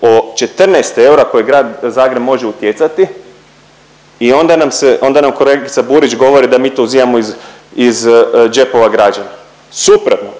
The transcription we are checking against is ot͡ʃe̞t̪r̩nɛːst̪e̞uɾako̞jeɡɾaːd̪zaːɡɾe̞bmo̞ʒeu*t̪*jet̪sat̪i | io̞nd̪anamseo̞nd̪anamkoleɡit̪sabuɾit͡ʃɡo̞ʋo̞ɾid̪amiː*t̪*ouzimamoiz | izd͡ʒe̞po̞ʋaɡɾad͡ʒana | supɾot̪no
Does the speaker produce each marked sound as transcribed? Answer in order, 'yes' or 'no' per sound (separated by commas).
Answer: yes, yes